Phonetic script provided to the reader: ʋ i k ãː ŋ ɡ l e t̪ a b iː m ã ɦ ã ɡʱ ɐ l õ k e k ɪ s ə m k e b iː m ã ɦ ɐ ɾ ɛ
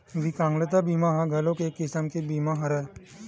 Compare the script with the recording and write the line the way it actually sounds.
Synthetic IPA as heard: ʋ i k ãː ŋ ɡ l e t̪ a b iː m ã ɦ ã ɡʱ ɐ l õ k e k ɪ s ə m k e b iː m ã ɦ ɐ ɾ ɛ